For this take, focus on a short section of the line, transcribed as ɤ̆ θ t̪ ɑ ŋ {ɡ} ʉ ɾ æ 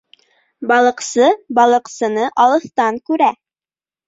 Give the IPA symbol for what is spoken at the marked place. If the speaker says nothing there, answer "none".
k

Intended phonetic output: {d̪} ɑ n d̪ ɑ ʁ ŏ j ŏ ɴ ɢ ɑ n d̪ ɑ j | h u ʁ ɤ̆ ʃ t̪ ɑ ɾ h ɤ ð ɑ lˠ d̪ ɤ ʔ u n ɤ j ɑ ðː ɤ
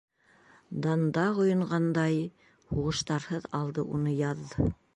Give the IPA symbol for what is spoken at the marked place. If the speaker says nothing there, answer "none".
d̪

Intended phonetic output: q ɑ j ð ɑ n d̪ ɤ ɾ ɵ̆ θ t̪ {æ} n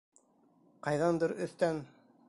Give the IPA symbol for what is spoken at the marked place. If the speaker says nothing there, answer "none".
æ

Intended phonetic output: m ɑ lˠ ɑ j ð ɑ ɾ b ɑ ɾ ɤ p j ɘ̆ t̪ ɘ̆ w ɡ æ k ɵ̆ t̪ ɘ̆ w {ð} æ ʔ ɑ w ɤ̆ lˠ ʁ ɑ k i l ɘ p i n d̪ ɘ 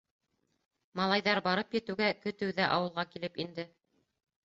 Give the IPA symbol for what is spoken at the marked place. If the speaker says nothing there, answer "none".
ð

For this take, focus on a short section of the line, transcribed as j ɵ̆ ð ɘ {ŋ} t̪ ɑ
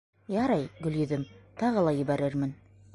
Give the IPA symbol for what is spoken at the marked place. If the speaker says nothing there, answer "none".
m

